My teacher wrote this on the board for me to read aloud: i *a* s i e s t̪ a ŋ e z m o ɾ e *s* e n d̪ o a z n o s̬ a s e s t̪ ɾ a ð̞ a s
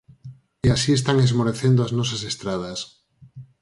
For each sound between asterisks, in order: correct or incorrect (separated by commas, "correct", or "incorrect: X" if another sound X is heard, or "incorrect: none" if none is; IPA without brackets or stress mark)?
correct, incorrect: θ